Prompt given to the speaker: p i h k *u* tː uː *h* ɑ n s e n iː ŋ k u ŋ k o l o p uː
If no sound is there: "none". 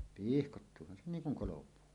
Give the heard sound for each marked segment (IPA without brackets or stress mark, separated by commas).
o, h